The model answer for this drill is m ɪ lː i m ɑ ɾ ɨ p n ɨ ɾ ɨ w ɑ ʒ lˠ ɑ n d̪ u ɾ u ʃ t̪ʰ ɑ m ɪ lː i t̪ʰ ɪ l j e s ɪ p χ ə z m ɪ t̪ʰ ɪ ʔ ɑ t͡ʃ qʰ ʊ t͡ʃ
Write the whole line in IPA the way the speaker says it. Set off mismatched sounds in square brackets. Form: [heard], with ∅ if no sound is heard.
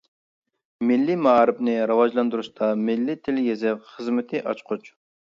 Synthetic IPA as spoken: m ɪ lː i m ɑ ɾ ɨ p n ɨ ɾ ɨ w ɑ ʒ lˠ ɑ n d̪ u ɾ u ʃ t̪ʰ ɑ m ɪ lː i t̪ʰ ɪ l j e [z] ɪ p χ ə z m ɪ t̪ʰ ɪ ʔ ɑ t͡ʃ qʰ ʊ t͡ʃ

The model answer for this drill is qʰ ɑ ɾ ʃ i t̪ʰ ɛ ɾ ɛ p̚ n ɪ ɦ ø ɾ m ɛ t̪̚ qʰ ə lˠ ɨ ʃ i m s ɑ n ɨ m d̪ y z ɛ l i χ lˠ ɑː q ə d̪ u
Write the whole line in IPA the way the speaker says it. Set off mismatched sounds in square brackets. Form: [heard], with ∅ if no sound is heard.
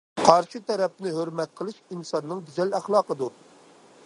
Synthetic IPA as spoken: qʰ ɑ ɾ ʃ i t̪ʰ ɛ ɾ ɛ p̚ n ɪ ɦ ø ɾ m ɛ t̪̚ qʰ ə lˠ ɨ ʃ i [n] s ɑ [nː] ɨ [ŋ] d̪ y z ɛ l [æ] χ lˠ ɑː q ə d̪ u

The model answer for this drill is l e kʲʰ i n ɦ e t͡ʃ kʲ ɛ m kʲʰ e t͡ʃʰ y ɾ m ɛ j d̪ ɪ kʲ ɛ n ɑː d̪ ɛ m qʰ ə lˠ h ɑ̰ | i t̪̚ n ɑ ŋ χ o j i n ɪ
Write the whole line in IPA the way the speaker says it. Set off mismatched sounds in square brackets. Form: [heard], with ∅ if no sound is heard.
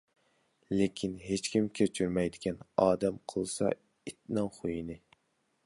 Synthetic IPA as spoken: l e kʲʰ i n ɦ e t͡ʃ kʲ [i] m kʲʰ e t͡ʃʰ y ɾ m ɛ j d̪ ɪ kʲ ɛ n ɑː d̪ ɛ m qʰ ə lˠ [s] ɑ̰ | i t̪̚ n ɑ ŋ χ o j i n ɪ

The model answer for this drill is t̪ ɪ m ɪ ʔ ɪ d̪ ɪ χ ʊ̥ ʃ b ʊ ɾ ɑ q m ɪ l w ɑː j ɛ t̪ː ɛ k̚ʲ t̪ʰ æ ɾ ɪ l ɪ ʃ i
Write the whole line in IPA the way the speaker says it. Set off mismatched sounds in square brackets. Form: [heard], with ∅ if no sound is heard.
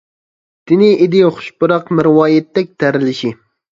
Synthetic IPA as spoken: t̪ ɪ [n] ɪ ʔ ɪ d̪ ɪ χ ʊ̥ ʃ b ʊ ɾ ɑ q m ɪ [ɾ] w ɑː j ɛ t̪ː ɛ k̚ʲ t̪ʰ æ ɾ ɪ l ɪ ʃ i

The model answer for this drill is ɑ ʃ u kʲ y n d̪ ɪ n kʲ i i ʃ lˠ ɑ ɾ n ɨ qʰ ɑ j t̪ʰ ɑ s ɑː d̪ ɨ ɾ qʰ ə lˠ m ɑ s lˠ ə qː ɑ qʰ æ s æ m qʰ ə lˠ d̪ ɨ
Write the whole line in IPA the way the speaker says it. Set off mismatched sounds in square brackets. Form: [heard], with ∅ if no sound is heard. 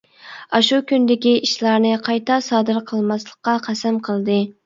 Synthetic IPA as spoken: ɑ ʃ u kʲ y n d̪ ɪ [∅] kʲ i i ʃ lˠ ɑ ɾ n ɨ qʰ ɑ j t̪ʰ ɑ s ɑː d̪ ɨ ɾ qʰ ə lˠ m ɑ s lˠ ə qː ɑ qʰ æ s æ m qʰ ə lˠ d̪ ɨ

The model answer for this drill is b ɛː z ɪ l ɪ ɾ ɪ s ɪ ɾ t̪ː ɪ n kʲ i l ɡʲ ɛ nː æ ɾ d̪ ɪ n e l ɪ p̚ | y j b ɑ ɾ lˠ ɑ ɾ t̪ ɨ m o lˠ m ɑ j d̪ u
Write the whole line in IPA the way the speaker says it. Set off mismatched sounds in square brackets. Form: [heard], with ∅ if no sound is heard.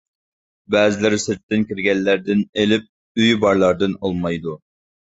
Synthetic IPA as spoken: b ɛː z ɪ l ɪ ɾ ɪ s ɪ ɾ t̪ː ɪ n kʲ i [ɾ] ɡʲ ɛ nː æ ɾ d̪ ɪ n e l ɪ p̚ | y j b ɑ ɾ lˠ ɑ ɾ [d̪] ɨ [n] o lˠ m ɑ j d̪ u

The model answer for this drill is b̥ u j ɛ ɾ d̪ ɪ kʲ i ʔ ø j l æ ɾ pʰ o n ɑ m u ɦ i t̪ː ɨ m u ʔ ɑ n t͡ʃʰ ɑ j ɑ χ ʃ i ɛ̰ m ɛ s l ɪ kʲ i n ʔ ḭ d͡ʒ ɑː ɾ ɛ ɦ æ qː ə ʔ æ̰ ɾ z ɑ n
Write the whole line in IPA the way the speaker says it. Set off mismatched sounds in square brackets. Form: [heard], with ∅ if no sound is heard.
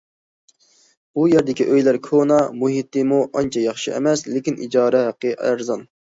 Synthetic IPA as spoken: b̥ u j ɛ ɾ d̪ ɪ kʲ i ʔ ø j l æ ɾ [kʰ] o n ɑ m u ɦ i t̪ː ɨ m u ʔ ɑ n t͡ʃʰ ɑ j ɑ χ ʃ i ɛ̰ m ɛ s l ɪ kʲ i n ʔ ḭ d͡ʒ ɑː ɾ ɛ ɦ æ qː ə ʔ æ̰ ɾ z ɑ n

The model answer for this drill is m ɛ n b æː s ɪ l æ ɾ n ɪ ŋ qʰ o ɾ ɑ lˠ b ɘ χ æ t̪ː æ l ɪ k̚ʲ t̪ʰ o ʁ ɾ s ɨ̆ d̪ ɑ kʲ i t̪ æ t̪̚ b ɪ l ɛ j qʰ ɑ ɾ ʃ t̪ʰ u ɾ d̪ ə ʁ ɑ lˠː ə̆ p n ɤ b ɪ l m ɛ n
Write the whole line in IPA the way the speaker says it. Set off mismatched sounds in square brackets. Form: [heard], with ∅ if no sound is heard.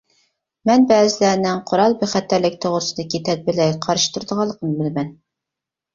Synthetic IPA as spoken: m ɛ n b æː [z] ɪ l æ ɾ n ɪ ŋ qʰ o ɾ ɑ lˠ b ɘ χ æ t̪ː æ l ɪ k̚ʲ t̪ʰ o ʁ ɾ s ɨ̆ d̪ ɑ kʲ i t̪ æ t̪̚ b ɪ l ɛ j qʰ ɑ ɾ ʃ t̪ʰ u ɾ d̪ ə ʁ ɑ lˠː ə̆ [q] n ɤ b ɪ l m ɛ n

